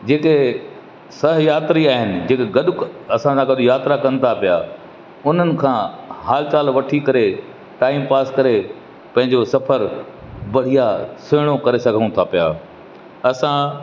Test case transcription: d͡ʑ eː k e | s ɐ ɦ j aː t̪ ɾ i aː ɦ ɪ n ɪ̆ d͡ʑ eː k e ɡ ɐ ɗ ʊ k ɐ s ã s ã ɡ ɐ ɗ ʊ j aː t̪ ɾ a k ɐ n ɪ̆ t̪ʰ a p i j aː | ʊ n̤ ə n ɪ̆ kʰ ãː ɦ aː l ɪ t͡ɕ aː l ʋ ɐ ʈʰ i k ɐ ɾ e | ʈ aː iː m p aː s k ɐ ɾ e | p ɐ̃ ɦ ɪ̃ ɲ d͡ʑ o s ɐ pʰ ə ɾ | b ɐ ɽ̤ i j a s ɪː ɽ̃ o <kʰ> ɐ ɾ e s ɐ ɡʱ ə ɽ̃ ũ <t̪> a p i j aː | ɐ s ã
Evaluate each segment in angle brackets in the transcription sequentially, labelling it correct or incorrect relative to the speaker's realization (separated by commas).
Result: incorrect, incorrect